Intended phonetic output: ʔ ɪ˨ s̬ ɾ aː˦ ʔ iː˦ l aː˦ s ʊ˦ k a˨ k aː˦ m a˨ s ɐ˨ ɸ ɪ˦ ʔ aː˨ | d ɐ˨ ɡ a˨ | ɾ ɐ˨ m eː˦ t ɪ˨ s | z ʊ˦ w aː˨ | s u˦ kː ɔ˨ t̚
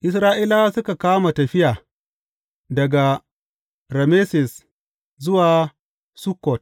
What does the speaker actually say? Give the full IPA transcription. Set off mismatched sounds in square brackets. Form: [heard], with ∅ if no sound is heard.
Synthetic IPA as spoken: ʔ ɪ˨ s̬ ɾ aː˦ ʔ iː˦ l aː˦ s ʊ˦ k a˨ k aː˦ m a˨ [t] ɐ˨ ɸ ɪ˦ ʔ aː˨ | d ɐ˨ ɡ a˨ | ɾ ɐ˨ m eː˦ [s] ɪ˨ s | z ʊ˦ w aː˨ | s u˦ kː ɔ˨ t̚